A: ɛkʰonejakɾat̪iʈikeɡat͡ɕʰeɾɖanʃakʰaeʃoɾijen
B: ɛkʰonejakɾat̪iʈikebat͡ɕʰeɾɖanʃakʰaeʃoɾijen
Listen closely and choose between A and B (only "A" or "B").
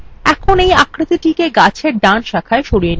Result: A